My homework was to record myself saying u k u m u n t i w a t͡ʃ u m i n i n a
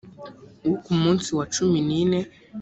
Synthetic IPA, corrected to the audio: u k u m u n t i w a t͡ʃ u m i n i n ɛ

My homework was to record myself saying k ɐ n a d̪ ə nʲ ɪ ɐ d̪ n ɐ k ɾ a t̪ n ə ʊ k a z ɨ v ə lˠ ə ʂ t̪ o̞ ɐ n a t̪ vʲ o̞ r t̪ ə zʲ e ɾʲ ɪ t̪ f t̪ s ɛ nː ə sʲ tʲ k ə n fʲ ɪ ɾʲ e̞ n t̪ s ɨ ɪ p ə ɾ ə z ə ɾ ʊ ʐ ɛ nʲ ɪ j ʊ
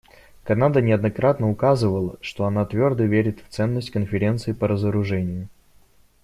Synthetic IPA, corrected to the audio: k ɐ n a d̪ ə nʲ ɪ ɐ d̪ n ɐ k ɾ a t̪ n ə ʊ k a z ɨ v ə lˠ ə ʂ t̪ o̞ ɐ n a t̪ vʲ o̞ r d̪ ə vʲ e ɾʲ ɪ t̪ f t̪ s ɛ nː ə sʲ tʲ k ə n fʲ ɪ ɾʲ e̞ n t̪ s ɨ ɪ p ə ɾ ə z ə ɾ ʊ ʐ ɛ nʲ ɪ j ʊ

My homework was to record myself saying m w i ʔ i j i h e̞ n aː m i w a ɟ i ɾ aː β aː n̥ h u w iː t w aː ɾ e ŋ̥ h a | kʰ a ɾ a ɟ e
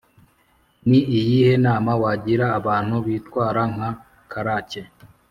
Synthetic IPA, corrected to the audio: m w i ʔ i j i h e̞ n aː m a w a ɟ i ɾ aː β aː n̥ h u β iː t w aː ɾ a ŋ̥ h a | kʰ a ɾ a c e

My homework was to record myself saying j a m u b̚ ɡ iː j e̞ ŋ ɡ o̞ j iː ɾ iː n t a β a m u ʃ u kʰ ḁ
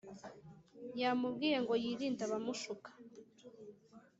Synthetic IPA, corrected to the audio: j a m u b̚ ɡ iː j e̞ ŋ ɡ o̞ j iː ɾ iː n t a β a m u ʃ u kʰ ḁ

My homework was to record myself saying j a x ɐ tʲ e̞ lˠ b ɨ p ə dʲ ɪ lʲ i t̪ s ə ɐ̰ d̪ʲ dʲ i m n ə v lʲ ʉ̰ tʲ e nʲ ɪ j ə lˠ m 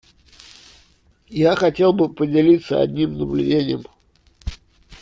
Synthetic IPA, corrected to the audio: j a x ɐ tʲ e̞ lˠ b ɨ p ə dʲ ɪ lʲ i t̪ s ə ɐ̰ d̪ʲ nʲ i m n ə b lʲ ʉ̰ dʲ e nʲ ɪ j ə m

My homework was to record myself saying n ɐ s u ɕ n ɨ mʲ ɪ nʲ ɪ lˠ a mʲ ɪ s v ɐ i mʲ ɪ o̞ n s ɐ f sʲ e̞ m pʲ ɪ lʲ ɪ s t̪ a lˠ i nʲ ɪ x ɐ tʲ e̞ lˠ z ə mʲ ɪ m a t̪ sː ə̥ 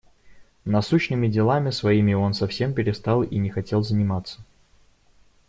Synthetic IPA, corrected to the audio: n ɐ s u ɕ n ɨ mʲ ɪ dʲ ɪ lˠ a mʲ ɪ s v ɐ i mʲ ɪ o̞ n s ɐ f sʲ e̞ m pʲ ɪ ɾʲ ɪ s t̪ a lˠ i nʲ ɪ x ɐ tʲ e̞ lˠ z ə nʲ ɪ m a t̪ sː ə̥

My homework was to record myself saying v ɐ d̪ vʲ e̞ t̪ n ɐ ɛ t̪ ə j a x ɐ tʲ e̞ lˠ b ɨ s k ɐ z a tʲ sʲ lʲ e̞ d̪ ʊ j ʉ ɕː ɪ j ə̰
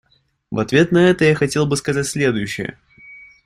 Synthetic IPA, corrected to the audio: v ɐ t̪ vʲ e̞ t̪ n ɐ ɛ t̪ ə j a x ɐ tʲ e̞ lˠ b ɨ s k ɐ z a tʲ sʲ lʲ e̞ d̪ ʊ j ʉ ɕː ɪ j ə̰

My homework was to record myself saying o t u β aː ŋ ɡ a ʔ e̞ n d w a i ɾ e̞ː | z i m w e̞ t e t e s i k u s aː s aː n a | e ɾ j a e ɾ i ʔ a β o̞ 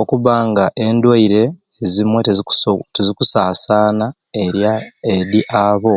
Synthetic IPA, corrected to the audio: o k u β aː ŋ ɡ a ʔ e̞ n d w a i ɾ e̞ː | z i m w e̞ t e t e z i k u s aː s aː n a | e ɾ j a e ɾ i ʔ a β o̞

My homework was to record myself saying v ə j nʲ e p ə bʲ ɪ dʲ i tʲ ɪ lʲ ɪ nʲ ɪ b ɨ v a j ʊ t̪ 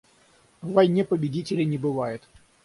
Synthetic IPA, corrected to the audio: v ɐ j nʲ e p ə bʲ ɪ dʲ i tʲ ɪ lʲ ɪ nʲ ɪ b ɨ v a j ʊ t̪

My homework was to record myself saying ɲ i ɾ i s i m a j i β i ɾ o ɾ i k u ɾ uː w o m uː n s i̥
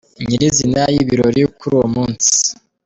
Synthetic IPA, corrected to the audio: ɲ i ɾ i z i n a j i β i ɾ o ɾ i k u ɾ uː w o m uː n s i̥

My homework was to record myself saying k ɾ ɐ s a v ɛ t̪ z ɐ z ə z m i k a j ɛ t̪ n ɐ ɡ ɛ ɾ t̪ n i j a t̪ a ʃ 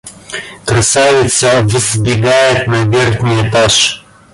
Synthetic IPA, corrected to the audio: k ɾ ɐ s a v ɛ t̪ s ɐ v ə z b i ɡ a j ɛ t̪ n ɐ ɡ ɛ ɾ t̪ n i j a t̪ a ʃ

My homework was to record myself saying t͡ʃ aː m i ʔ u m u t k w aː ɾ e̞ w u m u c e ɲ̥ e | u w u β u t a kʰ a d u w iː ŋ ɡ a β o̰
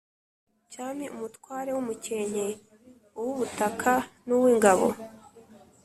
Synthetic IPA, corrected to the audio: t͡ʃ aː m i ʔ u m u t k w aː ɾ e̞ w u m u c e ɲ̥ e | u w u β u t a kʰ a n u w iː ŋ ɡ a β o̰

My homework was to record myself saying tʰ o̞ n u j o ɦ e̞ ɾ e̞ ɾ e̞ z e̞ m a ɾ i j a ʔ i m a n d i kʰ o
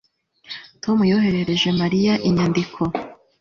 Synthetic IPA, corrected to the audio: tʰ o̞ m u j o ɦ e̞ ɾ e̞ ɾ e̞ ʒ e̞ m a ɾ i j a ʔ i ɲ a n d i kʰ o

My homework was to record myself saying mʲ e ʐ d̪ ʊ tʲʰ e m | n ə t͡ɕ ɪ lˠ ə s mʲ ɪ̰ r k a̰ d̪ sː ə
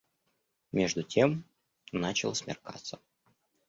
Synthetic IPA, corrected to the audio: mʲ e ʐ d̪ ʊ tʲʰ e m | n a t͡ɕ ɪ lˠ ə s mʲ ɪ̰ r k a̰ t̪ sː ə

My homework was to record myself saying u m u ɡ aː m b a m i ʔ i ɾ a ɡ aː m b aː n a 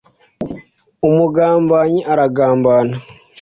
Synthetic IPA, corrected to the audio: u m u ɡ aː m b a ɲ i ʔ a ɾ a ɡ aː m b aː n a

